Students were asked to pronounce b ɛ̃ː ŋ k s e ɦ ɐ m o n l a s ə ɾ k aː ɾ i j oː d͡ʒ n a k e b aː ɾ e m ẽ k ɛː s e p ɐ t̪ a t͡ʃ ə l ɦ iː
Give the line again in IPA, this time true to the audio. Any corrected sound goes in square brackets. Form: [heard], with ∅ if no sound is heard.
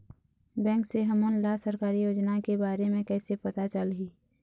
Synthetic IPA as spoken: b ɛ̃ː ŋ k s e ɦ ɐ m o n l a s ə ɾ k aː ɾ i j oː d͡ʒ n a k e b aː ɾ e m ẽ k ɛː s e p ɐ t̪ a t͡ʃ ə l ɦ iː